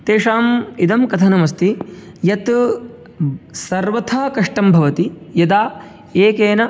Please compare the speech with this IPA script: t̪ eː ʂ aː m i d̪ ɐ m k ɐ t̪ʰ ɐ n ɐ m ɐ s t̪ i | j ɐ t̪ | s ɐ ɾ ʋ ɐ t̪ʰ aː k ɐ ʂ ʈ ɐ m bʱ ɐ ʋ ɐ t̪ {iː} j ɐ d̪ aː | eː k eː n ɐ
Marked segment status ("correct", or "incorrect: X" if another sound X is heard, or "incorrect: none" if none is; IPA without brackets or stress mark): incorrect: i